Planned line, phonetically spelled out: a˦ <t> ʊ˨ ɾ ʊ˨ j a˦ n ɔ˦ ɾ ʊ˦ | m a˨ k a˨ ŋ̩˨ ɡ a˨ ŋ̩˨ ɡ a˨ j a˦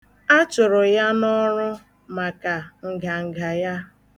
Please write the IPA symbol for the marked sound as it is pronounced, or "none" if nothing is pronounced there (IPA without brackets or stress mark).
t͡ʃ